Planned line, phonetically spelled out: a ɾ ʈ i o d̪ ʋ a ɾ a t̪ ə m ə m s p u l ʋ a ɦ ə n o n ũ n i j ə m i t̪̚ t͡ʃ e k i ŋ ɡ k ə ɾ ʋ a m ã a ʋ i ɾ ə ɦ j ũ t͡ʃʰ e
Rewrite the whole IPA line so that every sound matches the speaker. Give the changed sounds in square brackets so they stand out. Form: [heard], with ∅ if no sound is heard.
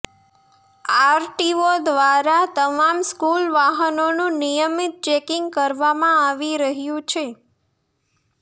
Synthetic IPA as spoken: a ɾ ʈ i o d̪ ʋ a ɾ a t̪ ə m [a] m s [k] u l ʋ a ɦ ə n o n ũ n i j ə m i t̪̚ t͡ʃ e k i ŋ ɡ k ə ɾ ʋ a m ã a ʋ i ɾ ə ɦ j ũ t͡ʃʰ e